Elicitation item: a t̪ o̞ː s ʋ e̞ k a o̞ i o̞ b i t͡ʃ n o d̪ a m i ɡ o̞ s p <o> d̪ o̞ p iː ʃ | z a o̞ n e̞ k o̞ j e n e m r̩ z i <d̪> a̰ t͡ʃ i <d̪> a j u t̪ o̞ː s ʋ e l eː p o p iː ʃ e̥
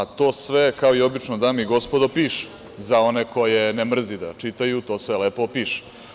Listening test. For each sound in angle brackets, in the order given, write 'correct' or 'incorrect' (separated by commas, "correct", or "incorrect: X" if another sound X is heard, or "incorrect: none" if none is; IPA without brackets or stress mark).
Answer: correct, correct, incorrect: t̪